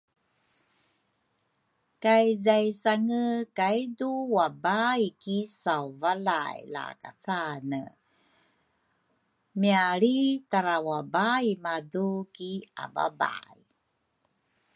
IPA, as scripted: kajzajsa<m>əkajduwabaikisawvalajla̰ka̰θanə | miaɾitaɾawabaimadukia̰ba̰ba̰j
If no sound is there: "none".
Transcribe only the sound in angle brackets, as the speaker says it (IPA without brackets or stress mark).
ŋ